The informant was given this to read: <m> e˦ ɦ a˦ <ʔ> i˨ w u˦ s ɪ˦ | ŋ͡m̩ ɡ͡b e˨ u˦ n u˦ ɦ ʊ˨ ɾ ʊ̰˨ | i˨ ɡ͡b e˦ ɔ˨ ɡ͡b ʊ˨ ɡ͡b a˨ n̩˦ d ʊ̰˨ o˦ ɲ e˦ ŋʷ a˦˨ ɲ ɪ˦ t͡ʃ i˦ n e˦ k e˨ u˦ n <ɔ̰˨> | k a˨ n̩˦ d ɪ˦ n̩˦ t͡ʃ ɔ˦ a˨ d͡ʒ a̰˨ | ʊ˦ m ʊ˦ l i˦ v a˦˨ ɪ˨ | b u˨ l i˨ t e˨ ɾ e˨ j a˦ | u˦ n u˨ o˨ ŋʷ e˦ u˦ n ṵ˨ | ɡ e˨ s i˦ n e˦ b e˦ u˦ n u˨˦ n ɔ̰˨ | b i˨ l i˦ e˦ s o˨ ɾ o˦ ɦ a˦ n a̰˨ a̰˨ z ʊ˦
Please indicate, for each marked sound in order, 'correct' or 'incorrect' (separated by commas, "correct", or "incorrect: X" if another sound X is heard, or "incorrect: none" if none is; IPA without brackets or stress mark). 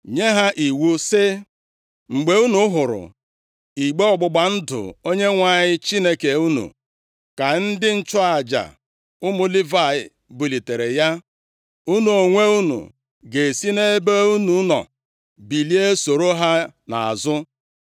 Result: incorrect: ɲ, correct, incorrect: ṵ˨